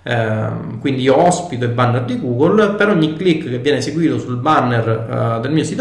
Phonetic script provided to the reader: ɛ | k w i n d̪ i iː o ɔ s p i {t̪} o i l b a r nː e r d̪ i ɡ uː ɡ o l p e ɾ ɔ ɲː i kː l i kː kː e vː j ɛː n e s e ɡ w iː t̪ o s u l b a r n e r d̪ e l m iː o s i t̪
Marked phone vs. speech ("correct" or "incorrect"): correct